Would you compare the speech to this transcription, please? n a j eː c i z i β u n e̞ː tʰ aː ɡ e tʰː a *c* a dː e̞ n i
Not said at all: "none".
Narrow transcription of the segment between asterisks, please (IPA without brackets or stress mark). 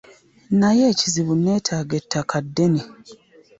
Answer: k